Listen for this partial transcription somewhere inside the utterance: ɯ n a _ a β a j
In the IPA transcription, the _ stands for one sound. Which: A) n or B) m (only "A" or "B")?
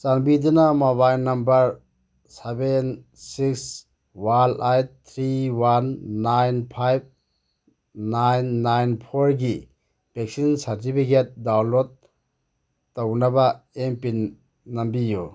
B